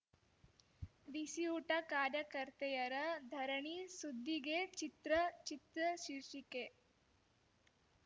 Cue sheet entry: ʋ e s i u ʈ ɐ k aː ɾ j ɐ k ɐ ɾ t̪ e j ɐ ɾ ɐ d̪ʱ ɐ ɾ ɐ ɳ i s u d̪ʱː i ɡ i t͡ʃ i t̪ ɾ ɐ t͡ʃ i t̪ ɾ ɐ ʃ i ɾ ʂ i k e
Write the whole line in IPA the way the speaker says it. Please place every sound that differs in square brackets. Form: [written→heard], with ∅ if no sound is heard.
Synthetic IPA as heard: ʋ [e→i] s i u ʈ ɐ k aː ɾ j ɐ k ɐ ɾ t̪ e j ɐ ɾ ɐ d̪ʱ ɐ ɾ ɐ ɳ i s u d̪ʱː i ɡ [i→e] t͡ʃ i t̪ ɾ ɐ t͡ʃ i t̪ ɾ ɐ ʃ i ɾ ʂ i k e